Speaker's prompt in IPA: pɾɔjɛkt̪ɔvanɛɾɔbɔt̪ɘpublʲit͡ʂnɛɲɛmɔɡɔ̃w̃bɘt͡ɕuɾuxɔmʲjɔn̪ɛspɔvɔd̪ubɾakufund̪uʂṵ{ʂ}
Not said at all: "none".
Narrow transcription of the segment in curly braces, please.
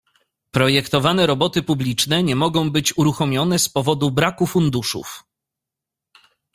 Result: f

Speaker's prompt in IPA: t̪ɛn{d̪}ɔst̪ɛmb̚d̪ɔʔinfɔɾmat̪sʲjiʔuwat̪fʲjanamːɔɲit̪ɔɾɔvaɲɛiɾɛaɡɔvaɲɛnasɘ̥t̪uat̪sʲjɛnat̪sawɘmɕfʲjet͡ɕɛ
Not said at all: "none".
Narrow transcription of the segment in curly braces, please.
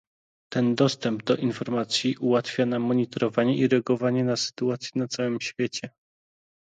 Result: d̪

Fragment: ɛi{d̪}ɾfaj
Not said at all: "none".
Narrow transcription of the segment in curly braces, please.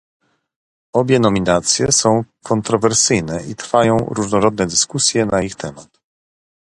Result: t̪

